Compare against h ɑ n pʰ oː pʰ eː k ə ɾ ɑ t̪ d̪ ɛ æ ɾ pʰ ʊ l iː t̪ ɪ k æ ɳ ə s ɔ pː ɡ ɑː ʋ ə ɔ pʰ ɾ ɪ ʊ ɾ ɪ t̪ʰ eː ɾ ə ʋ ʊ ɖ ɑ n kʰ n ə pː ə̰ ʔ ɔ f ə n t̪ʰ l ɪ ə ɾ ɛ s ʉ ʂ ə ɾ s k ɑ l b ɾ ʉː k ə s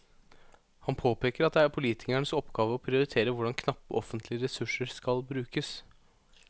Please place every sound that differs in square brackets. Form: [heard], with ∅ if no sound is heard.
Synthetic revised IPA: h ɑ n pʰ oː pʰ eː k ə ɾ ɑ t̪ d̪ ɛ æ ɾ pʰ ʊ l iː t̪ ɪ k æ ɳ ə s ɔ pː ɡ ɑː ʋ ə ɔ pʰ ɾ ɪ ʊ ɾ ɪ t̪ʰ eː ɾ ə ʋ ʊ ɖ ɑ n kʰ n [ɑ] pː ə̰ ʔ ɔ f ə n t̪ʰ l ɪ ə ɾ ɛ s ʉ ʂ ə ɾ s k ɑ l b ɾ ʉː k ə s

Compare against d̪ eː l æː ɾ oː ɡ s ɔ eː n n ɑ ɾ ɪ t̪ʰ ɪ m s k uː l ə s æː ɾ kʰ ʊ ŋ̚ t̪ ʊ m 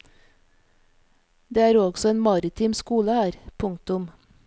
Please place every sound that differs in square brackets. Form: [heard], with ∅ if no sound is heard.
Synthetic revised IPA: d̪ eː [∅] æː ɾ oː ɡ s ɔ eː n [m] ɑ ɾ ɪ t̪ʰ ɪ m s k uː l ə [h] æː ɾ [pʰ] ʊ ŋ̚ t̪ ʊ m

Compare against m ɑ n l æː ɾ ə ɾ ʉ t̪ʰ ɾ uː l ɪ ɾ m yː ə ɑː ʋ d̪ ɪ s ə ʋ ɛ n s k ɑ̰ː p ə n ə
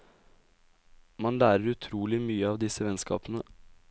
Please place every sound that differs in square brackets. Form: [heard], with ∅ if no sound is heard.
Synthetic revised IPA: m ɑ n l æː ɾ ə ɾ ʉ t̪ʰ ɾ uː l ɪ [∅] m yː ə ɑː ʋ d̪ ɪ s ə ʋ ɛ n s k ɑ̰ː p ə n ə

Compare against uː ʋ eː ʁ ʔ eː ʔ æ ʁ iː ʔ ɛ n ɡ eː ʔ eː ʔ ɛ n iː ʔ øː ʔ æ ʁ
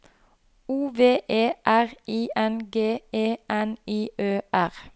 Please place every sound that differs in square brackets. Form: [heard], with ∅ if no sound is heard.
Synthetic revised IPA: uː ʋ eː [∅] ʔ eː ʔ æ ʁ iː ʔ ɛ n ɡ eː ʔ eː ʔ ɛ n iː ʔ øː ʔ æ ʁ

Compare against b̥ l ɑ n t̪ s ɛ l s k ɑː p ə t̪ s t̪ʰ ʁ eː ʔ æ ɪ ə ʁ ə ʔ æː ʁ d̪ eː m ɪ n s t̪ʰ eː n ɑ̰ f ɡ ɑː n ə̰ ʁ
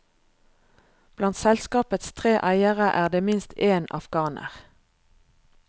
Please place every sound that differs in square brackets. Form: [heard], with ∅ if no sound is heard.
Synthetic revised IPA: b̥ l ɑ n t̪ s ɛ l s k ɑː p ə t̪ s t̪ʰ ʁ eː ʔ æ ɪ ə ʁ ə ʔ æː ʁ d̪ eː m ɪ n s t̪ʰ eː n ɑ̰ f ɡ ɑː n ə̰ ʁ

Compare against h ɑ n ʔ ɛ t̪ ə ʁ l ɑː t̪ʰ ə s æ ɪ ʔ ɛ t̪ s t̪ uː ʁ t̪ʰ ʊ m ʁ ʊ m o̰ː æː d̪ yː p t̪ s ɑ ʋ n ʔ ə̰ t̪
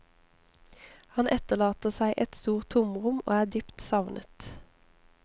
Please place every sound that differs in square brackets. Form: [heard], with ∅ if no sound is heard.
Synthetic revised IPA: h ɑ n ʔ ɛ t̪ ə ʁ l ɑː [t̪] ə s æ ɪ ʔ ɛ t̪ s t̪ uː ʁ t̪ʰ ʊ m ʁ ʊ m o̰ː æː d̪ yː p t̪ s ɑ ʋ n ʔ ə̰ t̪

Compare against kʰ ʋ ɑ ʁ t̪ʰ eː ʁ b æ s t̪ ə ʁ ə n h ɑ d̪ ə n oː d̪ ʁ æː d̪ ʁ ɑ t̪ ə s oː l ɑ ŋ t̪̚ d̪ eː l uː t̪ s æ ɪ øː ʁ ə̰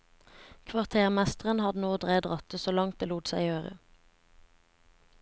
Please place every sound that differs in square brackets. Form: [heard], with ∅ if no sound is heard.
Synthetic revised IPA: kʰ ʋ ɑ ʁ t̪ʰ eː ʁ [m] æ s t̪ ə ʁ ə n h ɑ d̪ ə n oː d̪ ʁ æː d̪ ʁ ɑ t̪ ə s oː l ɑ ŋ t̪̚ d̪ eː l uː t̪ s æ ɪ øː ʁ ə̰

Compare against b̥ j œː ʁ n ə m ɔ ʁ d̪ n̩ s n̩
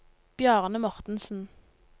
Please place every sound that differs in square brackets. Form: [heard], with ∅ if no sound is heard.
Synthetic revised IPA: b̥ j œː ʁ n ə m ɔ ʁ [t̪] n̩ s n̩

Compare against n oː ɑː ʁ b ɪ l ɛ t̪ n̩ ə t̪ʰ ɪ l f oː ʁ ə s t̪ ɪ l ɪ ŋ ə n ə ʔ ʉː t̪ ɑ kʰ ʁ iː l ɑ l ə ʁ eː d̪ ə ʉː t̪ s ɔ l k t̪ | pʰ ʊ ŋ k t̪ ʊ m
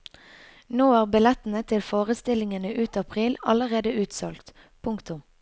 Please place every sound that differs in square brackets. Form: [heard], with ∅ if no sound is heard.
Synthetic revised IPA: n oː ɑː ʁ b ɪ l ɛ t̪ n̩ ə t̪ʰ ɪ l f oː ʁ ə s t̪ ɪ l ɪ ŋ ə n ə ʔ ʉː t̪ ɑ [pʰ] ʁ iː l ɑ l ə ʁ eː d̪ ə ʉː t̪ s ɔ l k t̪ | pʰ ʊ ŋ k t̪ ʊ m

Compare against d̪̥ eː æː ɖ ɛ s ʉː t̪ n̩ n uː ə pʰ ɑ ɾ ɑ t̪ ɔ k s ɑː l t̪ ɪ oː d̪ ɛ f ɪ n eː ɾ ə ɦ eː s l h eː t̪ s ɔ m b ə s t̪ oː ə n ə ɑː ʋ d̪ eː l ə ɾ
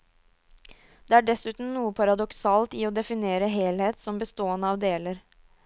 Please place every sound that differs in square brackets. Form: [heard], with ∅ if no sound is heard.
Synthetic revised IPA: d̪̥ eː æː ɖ ɛ s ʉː t̪ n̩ n uː ə pʰ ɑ ɾ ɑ [d̪] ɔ k s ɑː l t̪ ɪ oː d̪ ɛ f ɪ n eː ɾ ə ɦ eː [∅] l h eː t̪ s ɔ m b ə s t̪ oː ə n ə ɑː ʋ d̪ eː l ə ɾ

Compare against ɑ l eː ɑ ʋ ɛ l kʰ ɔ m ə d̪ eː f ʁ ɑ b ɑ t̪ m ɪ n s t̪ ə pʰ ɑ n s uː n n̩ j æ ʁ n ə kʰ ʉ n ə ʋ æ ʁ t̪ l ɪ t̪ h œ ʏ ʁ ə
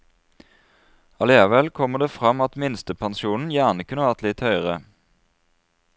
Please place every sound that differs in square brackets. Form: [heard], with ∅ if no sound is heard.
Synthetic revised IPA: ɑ l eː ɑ ʋ ɛ l kʰ ɔ m ə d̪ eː f ʁ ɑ [m] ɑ t̪ m ɪ n s t̪ ə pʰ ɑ n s uː n n̩ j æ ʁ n ə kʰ ʉ n ə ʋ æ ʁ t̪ l ɪ t̪ h œ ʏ ʁ ə

